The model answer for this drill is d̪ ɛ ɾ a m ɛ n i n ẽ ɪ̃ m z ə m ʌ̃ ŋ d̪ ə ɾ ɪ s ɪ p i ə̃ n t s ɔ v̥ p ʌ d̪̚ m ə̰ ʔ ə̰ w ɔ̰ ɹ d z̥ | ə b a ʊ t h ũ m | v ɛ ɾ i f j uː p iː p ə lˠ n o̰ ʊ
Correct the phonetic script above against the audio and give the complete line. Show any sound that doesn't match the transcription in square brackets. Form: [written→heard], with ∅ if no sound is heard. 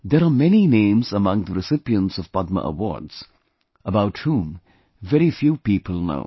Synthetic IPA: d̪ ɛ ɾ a m ɛ n i n ẽ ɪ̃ m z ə m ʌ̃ ŋ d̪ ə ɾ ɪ s ɪ p i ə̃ n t s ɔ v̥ p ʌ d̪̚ m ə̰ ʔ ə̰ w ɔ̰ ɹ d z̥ | ə b a ʊ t h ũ m | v ɛ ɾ i f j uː p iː p ə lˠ n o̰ ʊ